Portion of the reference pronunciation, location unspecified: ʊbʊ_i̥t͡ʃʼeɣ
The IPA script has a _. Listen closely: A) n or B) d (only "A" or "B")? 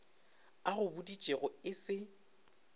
B